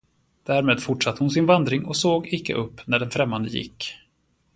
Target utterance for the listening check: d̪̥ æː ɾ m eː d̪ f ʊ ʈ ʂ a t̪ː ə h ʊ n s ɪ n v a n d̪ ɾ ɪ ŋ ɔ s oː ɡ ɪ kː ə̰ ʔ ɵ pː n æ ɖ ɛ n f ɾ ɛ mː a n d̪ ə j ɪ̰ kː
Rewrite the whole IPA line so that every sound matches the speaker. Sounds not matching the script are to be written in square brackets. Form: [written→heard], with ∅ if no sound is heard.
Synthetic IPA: d̪̥ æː ɾ m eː d̪ f ʊ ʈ ʂ a t̪ː ə h ʊ n s ɪ n v a n d̪ ɾ ɪ ŋ ɔ s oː ɡ ɪ kː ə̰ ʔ ɵ pː n æ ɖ ɛ n f ɾ ɛ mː a n d̪ ə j ɪ̰ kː